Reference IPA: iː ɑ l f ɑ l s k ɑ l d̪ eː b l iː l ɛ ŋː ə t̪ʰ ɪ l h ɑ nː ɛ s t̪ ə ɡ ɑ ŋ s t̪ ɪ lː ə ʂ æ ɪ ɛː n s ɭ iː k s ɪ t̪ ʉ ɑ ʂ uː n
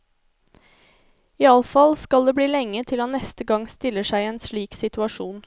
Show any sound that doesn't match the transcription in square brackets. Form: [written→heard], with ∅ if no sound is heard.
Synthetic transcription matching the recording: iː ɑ l f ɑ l s k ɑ l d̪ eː b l iː l ɛ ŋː ə t̪ʰ ɪ l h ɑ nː ɛ s t̪ ə ɡ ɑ ŋ s t̪ ɪ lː ə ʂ æ ɪ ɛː n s ɭ iː k s ɪ t̪ ʉ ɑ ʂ uː n